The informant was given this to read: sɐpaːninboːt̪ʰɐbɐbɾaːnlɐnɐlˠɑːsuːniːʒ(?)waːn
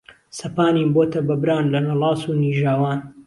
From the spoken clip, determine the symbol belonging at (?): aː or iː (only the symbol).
aː